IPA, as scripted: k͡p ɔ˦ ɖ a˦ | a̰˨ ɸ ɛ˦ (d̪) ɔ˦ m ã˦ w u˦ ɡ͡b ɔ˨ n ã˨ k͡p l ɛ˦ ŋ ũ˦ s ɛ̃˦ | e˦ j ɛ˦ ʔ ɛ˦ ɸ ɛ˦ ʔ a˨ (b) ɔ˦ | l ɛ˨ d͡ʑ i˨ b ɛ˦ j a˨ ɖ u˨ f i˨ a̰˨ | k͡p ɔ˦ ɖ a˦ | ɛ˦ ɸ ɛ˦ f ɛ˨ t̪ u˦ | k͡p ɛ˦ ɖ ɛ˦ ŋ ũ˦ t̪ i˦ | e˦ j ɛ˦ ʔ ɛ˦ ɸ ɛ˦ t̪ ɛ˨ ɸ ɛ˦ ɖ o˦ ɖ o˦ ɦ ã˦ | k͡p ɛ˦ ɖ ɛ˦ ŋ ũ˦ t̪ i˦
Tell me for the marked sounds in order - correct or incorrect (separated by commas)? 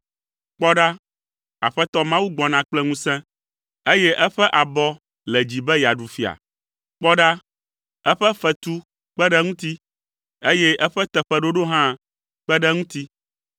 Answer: incorrect, correct